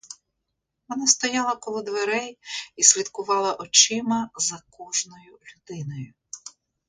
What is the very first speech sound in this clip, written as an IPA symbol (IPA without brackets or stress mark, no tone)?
ʋ